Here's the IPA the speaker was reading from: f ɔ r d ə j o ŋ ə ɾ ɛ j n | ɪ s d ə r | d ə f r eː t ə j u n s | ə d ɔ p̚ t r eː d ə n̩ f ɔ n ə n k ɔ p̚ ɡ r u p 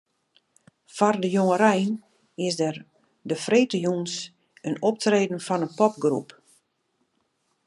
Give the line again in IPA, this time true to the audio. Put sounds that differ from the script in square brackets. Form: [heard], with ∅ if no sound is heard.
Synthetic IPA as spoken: f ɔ r d ə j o ŋ ə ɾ ɛ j n | ɪ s d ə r | d ə f r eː t ə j u n s | ə [n] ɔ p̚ t r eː d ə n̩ f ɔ n ə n [p] ɔ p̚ ɡ r u p